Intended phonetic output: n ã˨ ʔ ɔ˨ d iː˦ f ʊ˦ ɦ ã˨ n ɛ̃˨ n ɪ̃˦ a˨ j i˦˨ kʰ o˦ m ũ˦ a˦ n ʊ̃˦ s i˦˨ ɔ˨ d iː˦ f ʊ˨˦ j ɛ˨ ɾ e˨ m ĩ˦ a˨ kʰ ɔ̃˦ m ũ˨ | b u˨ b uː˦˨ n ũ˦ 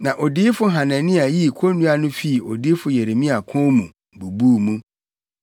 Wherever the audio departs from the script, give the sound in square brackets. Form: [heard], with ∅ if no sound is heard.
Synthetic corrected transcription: n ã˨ ʔ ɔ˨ d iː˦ f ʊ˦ ɦ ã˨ n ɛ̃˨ n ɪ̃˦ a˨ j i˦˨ kʰ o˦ [n] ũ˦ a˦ n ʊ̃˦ [f] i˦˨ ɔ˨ d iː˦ f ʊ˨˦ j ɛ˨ ɾ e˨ m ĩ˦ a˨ kʰ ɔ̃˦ m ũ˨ | b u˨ b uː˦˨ [m] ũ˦